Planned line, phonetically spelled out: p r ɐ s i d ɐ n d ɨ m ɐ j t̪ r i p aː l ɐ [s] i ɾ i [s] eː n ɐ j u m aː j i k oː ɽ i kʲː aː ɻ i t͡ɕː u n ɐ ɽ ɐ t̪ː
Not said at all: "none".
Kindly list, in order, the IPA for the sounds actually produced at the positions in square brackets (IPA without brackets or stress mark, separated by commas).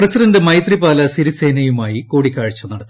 s, s